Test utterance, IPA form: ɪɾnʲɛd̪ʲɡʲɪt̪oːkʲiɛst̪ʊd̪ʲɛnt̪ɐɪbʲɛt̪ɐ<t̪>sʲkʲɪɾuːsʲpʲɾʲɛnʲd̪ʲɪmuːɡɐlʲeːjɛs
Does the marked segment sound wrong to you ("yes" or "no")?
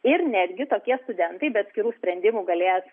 no